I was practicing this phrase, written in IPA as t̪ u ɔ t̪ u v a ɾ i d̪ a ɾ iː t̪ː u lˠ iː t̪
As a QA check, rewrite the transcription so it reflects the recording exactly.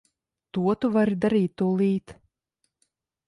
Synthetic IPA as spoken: t̪ u ɔ t̪ u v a ɾ i d̪ a ɾ iː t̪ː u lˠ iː t̪